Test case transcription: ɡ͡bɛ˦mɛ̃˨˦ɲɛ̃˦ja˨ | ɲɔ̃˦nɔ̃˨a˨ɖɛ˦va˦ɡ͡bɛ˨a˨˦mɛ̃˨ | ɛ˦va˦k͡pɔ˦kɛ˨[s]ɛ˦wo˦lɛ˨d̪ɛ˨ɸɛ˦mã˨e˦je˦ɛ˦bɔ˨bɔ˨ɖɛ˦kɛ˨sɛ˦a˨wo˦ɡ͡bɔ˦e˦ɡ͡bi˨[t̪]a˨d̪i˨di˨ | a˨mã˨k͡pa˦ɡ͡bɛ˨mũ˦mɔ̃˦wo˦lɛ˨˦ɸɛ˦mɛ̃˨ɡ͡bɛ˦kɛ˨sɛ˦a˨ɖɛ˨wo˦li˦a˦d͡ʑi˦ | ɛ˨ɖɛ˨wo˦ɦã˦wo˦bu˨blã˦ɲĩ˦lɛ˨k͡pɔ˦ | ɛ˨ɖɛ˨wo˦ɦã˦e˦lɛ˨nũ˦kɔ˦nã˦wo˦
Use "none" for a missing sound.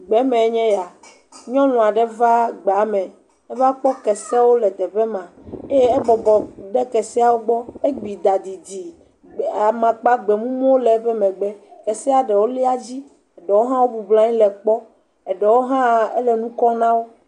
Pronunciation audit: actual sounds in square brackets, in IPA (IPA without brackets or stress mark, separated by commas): s, d̪